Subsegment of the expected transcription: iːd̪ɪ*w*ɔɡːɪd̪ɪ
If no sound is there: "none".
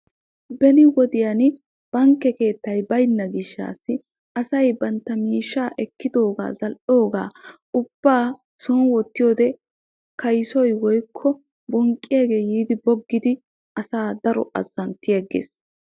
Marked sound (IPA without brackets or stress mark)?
b